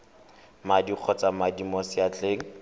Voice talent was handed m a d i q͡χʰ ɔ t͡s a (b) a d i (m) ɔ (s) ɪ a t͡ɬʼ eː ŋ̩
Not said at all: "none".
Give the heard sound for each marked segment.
m, m, s

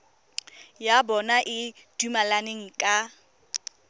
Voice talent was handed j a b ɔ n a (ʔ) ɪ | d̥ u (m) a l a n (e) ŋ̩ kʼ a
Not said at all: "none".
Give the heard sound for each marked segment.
ʔ, m, e

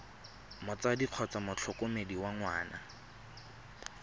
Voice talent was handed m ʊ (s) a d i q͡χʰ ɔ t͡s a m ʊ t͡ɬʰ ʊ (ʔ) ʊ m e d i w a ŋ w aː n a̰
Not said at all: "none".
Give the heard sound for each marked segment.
t͡s, k

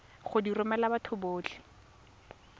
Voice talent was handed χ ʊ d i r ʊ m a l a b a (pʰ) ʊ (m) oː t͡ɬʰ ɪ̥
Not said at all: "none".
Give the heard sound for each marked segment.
tʰ, b

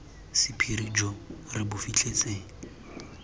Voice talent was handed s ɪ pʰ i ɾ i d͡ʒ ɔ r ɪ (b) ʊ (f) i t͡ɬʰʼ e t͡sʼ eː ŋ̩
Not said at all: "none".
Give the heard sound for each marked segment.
b, f

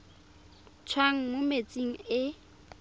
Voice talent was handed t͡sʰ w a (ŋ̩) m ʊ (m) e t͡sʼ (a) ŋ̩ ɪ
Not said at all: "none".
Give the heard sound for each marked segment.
ŋ̩, m, i

